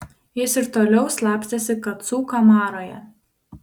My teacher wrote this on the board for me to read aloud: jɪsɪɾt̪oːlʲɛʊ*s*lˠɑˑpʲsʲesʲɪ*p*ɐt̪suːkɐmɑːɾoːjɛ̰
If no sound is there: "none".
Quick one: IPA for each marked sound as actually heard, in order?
s, k

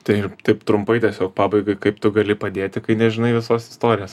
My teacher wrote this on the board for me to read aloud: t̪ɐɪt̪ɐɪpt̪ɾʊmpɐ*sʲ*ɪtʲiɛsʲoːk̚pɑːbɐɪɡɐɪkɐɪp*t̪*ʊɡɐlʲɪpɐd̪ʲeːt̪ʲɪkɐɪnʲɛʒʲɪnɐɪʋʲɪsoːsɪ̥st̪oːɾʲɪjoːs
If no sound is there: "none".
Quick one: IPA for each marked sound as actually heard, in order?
none, t̪

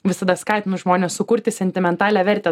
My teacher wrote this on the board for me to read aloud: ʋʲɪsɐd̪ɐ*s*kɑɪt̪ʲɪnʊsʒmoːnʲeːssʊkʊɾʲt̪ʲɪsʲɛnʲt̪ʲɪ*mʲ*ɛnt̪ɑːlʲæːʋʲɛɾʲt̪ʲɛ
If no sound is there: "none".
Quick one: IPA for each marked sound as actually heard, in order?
s, mʲ

